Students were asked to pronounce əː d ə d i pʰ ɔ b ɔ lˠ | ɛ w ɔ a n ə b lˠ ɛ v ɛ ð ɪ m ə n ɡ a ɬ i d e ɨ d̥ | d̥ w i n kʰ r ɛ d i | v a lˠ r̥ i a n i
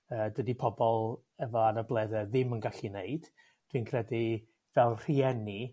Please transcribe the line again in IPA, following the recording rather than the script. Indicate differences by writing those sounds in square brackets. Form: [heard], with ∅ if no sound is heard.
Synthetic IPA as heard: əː d ə d i pʰ ɔ b ɔ lˠ | ɛ [v] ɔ a n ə b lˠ ɛ [ð] ɛ ð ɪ m ə n ɡ a ɬ i [n] e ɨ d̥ | d̥ w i n kʰ r ɛ d i | v [ɛ] lˠ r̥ i [ɛ] n i